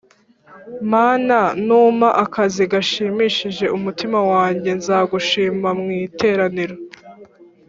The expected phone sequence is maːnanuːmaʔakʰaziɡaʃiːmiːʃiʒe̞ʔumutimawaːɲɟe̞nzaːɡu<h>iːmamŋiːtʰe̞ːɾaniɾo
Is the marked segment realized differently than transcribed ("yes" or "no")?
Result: yes